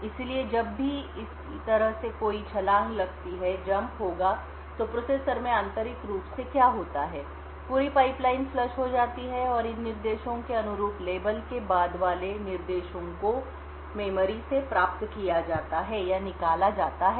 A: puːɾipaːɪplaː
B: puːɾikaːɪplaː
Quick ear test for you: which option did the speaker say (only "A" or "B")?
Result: A